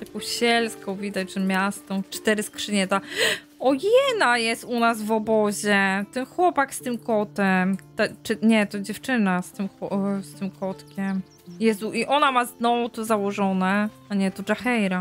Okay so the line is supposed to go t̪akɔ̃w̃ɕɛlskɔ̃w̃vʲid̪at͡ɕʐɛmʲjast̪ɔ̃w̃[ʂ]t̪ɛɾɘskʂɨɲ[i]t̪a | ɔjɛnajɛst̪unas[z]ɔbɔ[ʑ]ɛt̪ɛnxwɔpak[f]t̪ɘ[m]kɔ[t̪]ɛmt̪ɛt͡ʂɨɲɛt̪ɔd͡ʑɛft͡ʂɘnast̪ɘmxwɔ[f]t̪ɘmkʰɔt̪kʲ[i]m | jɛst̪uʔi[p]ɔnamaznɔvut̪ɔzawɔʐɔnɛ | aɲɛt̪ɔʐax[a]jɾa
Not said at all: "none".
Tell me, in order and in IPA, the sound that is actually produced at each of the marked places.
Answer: t͡ʂ, ɛ, v, ʑ, s, m, t̪, s, ɛ, ʔ, ɛ

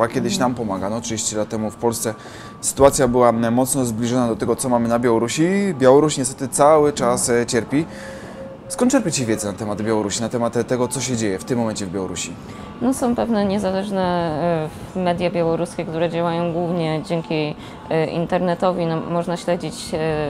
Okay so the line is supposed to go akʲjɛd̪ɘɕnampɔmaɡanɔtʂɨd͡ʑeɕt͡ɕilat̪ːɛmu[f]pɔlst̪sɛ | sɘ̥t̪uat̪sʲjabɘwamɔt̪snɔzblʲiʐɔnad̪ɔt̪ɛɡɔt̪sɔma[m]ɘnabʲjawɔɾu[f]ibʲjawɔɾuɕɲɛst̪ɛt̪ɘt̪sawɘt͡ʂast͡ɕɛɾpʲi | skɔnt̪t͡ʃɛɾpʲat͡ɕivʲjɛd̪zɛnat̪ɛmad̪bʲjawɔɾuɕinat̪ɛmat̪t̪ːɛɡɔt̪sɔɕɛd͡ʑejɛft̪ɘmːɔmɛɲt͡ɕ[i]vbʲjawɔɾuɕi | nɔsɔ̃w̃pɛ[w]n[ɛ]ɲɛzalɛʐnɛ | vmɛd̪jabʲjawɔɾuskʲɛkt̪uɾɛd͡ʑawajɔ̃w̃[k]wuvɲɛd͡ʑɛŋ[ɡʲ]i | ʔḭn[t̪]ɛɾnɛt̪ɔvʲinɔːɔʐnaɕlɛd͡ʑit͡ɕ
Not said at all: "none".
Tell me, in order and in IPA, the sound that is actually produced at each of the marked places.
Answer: f, m, ɕ, ɛ, v, ɛ, ɡ, kʲ, t̪

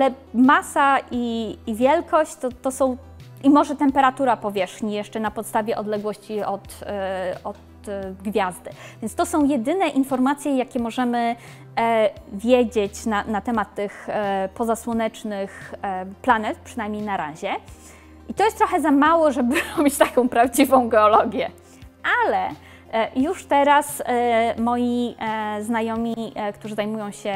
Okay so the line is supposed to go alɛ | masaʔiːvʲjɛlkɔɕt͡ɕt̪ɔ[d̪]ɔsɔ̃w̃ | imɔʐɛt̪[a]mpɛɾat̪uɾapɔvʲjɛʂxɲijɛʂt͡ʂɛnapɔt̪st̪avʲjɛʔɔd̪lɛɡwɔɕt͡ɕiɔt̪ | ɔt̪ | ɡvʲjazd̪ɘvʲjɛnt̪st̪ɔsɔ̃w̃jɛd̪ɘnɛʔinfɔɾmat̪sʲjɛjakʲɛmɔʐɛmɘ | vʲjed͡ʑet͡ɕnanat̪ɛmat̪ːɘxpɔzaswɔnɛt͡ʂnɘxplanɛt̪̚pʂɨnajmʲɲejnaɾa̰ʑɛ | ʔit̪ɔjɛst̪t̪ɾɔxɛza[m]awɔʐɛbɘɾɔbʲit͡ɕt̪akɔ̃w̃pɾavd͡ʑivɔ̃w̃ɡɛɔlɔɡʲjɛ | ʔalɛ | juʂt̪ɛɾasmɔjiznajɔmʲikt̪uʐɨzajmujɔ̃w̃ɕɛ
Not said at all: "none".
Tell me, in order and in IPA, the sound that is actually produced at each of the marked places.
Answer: t̪, ɛ, m

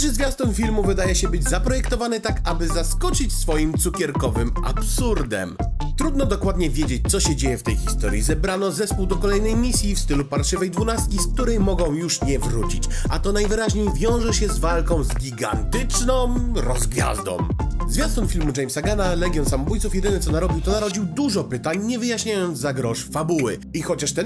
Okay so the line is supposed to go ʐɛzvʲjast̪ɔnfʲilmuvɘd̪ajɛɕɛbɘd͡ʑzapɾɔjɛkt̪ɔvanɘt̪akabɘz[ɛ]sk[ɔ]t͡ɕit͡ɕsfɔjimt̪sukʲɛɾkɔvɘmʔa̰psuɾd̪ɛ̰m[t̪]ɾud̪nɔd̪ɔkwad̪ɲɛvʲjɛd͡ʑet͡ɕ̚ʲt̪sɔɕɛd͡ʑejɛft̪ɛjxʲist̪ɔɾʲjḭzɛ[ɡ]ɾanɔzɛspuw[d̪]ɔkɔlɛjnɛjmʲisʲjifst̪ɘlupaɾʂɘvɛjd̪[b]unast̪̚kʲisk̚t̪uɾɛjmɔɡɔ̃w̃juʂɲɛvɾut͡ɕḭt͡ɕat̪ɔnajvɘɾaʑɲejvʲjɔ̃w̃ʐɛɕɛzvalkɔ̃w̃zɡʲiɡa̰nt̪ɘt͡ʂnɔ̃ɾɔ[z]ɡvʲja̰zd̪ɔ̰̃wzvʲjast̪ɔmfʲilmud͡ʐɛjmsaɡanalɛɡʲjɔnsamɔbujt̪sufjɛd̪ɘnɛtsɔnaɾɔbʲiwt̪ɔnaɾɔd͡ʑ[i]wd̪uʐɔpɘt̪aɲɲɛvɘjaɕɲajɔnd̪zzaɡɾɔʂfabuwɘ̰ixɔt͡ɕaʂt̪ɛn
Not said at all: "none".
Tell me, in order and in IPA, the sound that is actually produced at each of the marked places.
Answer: a, ɔ, t̪, b, d̪, v, z, i

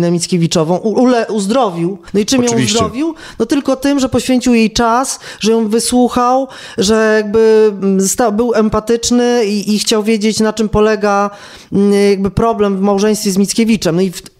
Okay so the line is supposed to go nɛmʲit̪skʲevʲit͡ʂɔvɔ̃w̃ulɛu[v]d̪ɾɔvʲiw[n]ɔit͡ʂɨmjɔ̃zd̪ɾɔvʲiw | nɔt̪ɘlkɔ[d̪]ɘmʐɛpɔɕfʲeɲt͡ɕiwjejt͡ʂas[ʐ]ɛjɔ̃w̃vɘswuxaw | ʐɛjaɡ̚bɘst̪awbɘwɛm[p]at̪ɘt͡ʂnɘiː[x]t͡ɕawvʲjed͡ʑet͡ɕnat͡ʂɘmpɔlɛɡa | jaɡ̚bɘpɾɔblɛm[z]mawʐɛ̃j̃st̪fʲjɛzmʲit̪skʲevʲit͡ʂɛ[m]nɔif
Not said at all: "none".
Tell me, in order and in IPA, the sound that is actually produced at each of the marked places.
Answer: z, n, t̪, ʐ, p, x, v, m

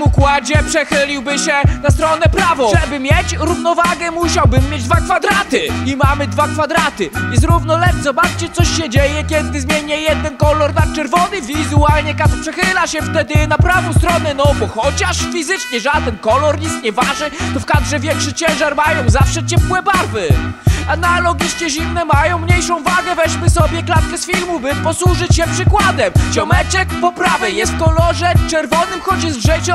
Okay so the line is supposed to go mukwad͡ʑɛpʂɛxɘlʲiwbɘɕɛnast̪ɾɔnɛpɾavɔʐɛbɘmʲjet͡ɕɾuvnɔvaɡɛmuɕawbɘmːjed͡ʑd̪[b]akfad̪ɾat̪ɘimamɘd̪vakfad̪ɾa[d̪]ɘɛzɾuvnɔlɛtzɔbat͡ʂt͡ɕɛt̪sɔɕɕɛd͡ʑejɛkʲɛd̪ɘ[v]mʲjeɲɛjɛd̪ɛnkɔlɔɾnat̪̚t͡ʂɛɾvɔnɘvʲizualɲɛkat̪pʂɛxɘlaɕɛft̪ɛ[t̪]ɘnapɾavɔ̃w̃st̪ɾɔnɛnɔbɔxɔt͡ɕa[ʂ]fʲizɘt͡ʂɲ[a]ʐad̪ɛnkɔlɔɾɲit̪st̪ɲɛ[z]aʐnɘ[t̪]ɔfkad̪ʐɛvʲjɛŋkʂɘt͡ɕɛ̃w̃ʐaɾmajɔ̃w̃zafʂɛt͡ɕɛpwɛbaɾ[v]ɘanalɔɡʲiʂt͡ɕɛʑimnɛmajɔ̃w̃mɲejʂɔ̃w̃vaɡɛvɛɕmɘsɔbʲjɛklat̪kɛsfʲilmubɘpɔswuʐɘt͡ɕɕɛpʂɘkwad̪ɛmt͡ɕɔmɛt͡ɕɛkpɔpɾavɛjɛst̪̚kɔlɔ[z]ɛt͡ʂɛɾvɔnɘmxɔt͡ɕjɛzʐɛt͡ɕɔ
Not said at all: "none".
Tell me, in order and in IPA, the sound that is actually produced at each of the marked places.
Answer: v, t̪, z, d̪, ʂ, ɛ, v, t̪, v, ʐ

